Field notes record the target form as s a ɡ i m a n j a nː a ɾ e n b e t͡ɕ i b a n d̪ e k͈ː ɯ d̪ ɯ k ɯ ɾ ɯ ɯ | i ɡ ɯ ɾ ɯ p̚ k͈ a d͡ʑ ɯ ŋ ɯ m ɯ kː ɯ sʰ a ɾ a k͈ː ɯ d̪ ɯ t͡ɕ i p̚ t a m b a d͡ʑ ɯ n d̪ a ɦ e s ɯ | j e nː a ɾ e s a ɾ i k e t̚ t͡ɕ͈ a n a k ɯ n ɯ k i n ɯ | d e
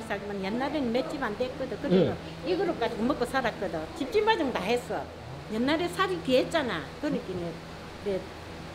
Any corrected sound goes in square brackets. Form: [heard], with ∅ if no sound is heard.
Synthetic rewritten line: s a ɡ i m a n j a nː a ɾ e n [m] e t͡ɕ i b a n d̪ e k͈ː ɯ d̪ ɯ k ɯ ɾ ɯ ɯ | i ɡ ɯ ɾ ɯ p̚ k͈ a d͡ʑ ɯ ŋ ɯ m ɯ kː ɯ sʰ a ɾ a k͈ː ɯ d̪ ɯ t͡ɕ i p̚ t [i] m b a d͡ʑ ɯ [ŋ] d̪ a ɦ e s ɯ | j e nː a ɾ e s a ɾ i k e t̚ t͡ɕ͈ a n a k ɯ n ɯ k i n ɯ | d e